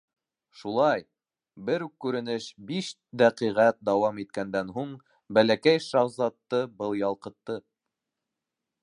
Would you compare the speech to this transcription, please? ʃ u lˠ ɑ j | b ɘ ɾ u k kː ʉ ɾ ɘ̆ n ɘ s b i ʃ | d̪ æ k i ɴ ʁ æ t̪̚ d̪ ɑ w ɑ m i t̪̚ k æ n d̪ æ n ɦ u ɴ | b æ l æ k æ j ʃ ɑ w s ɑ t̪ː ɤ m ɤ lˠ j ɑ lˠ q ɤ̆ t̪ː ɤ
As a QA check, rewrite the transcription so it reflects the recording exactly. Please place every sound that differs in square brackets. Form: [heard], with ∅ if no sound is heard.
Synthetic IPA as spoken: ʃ u lˠ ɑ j | b ɘ ɾ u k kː ʉ ɾ ɘ̆ n ɘ [ʃ] b i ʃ | d̪ æ [q] i [∅] ʁ æ t̪̚ d̪ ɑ w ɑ m i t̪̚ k æ n d̪ æ n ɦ u ɴ | b æ l æ k æ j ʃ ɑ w [z] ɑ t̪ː ɤ [b] ɤ lˠ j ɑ lˠ q ɤ̆ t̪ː ɤ